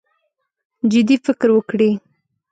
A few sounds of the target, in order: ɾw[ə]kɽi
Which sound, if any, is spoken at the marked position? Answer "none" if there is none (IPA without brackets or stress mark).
ə